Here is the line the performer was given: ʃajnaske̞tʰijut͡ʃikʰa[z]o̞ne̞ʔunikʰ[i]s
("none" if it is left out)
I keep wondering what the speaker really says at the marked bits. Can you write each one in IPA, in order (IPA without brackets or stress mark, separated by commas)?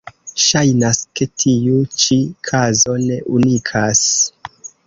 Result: z, a